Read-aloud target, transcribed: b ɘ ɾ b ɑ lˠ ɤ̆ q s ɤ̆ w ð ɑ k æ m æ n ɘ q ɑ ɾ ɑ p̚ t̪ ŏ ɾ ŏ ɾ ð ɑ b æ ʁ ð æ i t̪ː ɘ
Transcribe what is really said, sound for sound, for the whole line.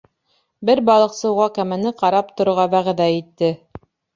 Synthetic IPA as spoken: b ɘ ɾ b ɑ lˠ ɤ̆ q s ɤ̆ w ʁ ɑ k æ m æ n ɘ q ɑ ɾ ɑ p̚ t̪ ŏ ɾ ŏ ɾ ʁ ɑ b æ ʁ ð æ i t̪ː ɘ